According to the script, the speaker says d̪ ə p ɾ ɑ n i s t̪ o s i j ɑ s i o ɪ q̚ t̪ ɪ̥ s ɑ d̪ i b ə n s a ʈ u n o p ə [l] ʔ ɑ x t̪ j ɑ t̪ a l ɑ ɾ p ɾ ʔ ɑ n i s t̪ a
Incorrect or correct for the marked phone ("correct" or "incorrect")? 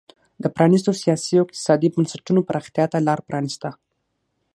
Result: incorrect